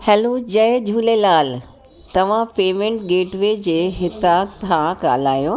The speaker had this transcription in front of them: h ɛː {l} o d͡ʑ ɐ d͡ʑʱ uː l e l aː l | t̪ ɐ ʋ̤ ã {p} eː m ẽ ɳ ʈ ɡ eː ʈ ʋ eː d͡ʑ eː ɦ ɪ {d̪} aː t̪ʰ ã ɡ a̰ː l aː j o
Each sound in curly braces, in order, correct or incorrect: correct, correct, incorrect: t̪

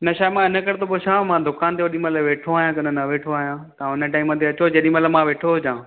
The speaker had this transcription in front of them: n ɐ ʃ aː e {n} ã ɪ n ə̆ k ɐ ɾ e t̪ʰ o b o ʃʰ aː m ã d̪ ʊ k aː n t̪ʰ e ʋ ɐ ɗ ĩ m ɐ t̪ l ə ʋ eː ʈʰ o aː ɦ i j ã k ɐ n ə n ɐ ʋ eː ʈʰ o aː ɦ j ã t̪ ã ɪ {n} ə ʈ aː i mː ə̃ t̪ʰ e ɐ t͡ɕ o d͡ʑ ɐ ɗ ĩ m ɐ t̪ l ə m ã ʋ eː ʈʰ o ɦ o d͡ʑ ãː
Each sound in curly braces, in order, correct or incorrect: incorrect: m, correct

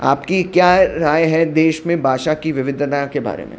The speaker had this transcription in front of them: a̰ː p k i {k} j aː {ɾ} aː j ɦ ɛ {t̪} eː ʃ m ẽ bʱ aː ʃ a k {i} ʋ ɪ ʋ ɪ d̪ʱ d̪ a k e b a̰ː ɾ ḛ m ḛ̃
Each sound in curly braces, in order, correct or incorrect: correct, correct, incorrect: d̪, correct

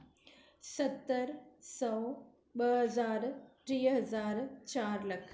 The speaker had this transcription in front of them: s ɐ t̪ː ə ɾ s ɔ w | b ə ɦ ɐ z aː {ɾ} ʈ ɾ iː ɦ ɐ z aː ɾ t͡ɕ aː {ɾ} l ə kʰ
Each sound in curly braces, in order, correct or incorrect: correct, correct

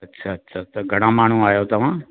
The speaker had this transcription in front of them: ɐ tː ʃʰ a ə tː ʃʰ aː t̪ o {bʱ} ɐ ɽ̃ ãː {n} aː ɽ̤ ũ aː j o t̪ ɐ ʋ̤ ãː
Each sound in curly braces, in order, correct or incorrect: incorrect: ɡʱ, incorrect: m

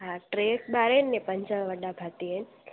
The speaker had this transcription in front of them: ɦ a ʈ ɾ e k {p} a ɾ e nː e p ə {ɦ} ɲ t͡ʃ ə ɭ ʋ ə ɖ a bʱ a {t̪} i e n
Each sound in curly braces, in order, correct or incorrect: incorrect: b, incorrect: none, correct

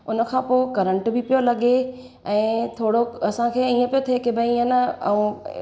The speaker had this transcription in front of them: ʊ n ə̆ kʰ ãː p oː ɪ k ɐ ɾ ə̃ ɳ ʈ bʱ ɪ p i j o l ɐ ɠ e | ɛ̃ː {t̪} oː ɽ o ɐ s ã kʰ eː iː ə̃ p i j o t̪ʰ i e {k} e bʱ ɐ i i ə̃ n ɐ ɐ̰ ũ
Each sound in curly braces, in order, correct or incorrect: incorrect: t̪ʰ, correct

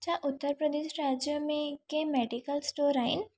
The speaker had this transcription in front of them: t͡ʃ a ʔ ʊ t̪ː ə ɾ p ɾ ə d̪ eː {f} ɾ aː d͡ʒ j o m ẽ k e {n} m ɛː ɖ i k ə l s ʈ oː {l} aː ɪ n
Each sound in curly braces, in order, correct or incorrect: incorrect: ʃ, incorrect: none, incorrect: ɾ

